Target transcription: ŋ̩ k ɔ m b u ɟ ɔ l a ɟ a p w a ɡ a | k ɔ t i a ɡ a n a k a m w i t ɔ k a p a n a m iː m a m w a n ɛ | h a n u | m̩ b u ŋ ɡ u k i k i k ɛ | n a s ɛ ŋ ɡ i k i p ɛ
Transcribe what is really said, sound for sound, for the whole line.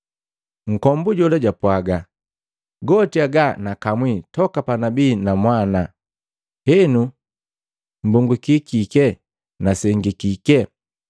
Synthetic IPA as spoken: ŋ̩ k ɔ m b u ɟ ɔ l a ɟ a p w a ɡ a | ɡ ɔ t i a ɡ a n a k a m w i t ɔ k a p a n a b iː n a m w a n a | h ɛ n u | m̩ b u ŋ ɡ u k i k i k ɛ | n a s ɛ ŋ ɡ i k i k ɛ